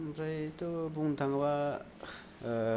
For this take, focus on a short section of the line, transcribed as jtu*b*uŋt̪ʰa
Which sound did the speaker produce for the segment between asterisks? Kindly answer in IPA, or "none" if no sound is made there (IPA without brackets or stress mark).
b